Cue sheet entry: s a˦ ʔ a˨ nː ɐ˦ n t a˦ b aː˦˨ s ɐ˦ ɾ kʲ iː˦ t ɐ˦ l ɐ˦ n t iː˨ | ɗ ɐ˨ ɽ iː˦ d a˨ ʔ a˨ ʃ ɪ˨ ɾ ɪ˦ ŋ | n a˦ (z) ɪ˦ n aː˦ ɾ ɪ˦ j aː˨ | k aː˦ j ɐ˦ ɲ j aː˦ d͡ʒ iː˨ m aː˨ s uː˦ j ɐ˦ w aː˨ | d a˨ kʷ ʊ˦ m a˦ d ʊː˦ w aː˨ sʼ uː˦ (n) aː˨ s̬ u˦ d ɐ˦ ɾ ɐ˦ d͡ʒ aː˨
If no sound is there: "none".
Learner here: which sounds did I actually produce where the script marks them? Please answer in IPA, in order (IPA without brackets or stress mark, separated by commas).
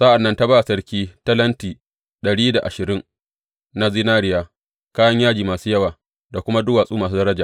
z, m